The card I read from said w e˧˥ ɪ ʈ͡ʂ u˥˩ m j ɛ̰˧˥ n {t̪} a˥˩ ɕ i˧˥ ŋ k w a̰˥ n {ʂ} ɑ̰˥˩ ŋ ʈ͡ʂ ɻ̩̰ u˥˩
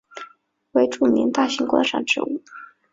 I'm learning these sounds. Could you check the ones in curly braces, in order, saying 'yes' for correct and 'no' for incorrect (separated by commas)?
yes, yes